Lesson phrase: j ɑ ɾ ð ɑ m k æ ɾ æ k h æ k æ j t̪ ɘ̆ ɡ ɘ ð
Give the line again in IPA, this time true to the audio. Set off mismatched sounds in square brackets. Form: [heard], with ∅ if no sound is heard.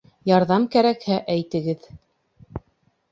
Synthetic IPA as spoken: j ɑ ɾ ð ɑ m k æ ɾ æ k h æ [ʔ] æ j t̪ ɘ̆ ɡ ɘ ð